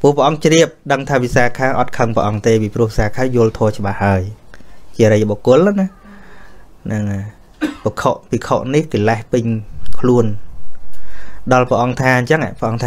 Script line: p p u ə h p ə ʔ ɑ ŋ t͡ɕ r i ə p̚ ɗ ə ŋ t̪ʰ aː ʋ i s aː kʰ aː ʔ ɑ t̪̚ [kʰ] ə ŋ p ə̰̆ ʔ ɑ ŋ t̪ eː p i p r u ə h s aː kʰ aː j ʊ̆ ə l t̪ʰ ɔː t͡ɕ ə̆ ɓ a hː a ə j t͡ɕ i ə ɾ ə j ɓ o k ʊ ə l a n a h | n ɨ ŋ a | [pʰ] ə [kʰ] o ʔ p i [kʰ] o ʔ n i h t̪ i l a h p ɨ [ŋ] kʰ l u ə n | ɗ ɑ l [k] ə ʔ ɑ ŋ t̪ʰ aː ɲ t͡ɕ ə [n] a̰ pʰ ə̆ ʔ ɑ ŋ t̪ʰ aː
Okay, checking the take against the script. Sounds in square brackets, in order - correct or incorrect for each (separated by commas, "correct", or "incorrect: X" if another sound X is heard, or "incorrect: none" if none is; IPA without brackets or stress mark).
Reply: correct, incorrect: p, correct, correct, incorrect: ɲ, incorrect: p, incorrect: ŋ